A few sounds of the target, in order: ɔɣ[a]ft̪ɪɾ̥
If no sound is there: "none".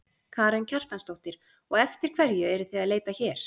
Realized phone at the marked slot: ɛ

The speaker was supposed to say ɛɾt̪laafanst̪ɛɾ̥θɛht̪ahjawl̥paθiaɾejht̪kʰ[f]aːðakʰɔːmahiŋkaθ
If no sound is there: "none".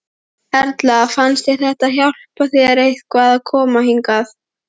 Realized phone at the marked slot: v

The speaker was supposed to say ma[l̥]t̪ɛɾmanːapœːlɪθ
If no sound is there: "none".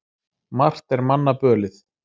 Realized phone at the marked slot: r̥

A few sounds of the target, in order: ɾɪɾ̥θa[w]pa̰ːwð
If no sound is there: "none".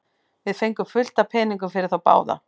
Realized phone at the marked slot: w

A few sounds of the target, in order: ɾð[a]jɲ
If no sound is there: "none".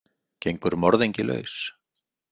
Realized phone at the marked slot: e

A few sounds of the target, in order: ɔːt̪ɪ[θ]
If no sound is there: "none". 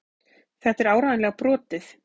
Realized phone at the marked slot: θ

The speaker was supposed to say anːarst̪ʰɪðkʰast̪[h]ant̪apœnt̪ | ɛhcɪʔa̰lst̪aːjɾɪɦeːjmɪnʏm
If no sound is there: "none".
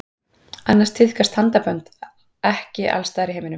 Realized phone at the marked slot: h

